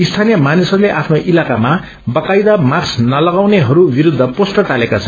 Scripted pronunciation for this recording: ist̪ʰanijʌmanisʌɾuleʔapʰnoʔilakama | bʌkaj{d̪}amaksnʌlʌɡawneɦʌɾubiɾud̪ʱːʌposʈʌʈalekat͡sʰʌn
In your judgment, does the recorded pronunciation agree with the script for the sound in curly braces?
yes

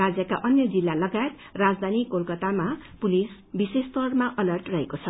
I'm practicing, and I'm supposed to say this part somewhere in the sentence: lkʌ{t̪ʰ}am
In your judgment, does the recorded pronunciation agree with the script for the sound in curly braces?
no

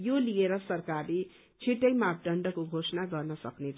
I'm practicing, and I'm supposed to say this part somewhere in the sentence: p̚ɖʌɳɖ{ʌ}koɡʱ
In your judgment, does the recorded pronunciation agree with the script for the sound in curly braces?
yes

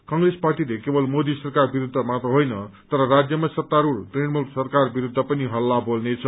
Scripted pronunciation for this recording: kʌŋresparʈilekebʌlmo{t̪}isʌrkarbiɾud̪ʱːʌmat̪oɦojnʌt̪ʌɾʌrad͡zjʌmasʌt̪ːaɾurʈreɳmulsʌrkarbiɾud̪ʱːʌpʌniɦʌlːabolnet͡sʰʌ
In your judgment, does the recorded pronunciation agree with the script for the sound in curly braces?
no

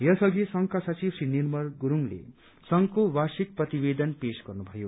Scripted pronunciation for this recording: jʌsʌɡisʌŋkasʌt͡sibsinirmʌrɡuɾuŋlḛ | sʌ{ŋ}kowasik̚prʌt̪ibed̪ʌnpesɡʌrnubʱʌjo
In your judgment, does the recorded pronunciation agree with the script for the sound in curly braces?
yes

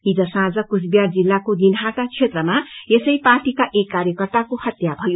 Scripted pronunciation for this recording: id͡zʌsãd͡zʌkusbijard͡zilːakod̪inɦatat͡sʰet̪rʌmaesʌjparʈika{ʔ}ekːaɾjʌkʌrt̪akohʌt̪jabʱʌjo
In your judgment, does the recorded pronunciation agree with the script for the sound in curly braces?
yes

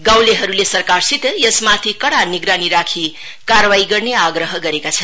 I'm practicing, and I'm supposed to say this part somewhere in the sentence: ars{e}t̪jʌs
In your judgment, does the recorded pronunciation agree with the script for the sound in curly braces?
no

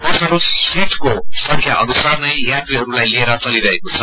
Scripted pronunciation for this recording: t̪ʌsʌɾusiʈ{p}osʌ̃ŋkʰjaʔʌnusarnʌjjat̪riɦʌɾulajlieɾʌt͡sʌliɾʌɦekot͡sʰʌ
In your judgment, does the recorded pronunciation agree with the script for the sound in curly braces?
no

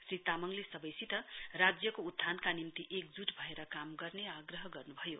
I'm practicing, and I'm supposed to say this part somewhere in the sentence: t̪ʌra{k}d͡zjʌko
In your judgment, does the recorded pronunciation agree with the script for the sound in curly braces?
no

